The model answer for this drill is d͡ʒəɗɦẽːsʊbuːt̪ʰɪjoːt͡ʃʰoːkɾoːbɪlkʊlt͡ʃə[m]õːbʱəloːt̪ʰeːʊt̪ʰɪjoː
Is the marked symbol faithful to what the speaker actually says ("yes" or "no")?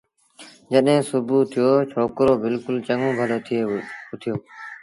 no